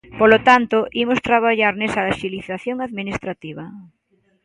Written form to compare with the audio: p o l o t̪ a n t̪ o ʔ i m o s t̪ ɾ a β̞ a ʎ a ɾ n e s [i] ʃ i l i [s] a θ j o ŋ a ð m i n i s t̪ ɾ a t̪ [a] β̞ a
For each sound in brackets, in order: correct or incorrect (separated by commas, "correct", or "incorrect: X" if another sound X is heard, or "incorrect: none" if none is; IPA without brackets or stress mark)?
incorrect: a, incorrect: θ, incorrect: i